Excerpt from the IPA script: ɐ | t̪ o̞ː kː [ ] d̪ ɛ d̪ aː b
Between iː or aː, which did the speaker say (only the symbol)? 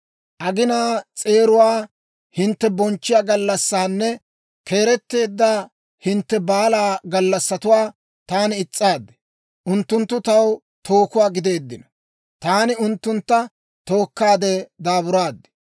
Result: aː